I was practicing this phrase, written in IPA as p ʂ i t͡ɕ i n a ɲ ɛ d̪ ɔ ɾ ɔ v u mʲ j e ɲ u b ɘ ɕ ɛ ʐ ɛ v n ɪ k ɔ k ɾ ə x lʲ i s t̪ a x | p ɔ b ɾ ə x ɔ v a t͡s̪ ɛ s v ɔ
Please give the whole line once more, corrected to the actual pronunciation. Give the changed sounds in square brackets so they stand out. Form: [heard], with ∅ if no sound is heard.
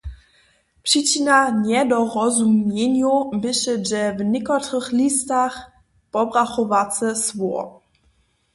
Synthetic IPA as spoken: p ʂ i t͡ɕ i n a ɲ ɛ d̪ ɔ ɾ ɔ [z] u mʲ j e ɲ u b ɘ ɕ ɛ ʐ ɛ v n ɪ k ɔ [t] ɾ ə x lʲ i s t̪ a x | p ɔ b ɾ [a] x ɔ v a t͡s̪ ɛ s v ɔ